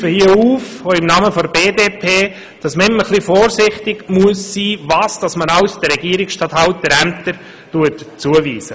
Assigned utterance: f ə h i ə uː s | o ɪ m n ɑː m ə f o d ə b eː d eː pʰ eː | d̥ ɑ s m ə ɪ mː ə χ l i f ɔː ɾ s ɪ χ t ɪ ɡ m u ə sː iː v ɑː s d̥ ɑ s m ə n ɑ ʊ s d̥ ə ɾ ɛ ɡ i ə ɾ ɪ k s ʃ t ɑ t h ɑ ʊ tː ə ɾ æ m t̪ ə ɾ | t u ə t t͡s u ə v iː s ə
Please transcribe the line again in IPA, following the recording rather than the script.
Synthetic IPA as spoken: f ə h i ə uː f | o ɪ m n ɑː m ə f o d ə b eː d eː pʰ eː | d̥ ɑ s m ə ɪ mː ə χ l i f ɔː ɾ s ɪ χ t ɪ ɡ m u ə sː iː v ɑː s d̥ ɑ s m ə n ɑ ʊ s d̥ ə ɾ ɛ ɡ i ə ɾ ɪ k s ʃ t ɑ t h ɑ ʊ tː ə ɾ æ m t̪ ə ɾ | t u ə t t͡s u ə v iː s ə